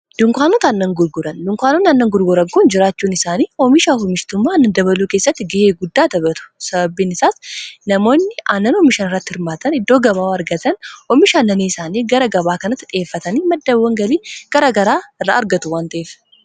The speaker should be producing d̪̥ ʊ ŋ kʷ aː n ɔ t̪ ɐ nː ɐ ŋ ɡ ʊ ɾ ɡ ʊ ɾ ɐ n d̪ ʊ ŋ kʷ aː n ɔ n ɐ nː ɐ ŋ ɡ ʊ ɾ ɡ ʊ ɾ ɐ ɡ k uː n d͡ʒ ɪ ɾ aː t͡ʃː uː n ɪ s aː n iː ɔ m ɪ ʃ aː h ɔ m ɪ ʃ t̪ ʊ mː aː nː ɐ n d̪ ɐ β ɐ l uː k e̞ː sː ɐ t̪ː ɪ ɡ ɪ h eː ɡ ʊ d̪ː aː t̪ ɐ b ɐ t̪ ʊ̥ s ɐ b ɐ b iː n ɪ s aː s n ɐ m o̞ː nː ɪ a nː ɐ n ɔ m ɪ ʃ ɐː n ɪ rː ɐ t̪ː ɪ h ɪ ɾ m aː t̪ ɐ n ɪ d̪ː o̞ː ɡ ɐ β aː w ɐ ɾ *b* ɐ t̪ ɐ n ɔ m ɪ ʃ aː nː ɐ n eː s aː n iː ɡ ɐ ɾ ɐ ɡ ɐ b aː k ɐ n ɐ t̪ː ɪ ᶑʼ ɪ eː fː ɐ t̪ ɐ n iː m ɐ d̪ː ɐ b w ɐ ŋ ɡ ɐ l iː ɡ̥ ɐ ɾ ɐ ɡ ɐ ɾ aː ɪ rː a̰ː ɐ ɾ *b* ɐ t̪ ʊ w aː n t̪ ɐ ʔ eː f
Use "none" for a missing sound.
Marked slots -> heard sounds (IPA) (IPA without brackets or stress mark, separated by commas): ɡ, ɡ